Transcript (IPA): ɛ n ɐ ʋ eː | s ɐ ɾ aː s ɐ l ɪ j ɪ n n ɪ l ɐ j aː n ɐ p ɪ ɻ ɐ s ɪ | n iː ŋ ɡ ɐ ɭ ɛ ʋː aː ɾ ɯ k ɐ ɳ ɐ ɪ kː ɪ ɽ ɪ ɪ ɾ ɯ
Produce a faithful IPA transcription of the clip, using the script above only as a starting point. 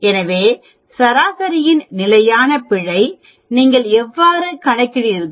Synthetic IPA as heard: ɛ n ɐ ʋ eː | s ɐ ɾ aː s ɐ ɾ ɪ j ɪ n n ɪ l ɐ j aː n ɐ p ɪ ɻ ɐ ɪ | n iː ŋ ɡ ɐ ɭ ɛ ʋː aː ɾ ɯ k ɐ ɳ ɐ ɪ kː ɪ ɽ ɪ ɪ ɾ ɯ